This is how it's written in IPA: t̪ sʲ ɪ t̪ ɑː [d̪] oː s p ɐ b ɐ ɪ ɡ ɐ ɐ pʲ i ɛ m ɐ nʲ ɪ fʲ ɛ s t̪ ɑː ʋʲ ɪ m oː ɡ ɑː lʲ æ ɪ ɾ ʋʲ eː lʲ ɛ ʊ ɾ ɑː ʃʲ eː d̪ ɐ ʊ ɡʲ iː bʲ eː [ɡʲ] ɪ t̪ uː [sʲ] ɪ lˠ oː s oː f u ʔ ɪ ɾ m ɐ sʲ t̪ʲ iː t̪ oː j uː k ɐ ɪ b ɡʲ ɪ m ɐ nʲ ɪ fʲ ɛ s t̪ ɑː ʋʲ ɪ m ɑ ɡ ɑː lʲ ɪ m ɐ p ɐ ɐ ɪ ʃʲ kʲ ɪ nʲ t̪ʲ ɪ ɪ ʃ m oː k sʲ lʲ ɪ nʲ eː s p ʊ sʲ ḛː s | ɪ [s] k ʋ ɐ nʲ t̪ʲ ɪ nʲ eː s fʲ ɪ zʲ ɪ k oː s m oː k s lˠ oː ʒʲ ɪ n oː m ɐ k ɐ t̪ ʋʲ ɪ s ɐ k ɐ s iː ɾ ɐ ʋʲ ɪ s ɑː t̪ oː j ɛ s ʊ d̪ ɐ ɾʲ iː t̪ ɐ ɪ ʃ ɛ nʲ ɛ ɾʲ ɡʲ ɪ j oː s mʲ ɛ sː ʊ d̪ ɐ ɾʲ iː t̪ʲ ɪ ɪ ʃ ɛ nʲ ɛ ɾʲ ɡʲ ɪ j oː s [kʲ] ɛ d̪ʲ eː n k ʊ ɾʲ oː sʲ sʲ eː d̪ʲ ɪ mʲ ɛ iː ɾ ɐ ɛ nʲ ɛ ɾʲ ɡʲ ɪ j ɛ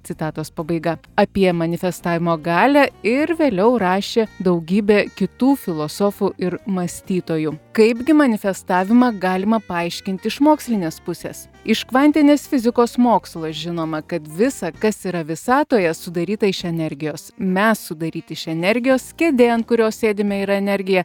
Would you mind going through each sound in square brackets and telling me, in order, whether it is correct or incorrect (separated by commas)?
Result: incorrect, incorrect, incorrect, incorrect, correct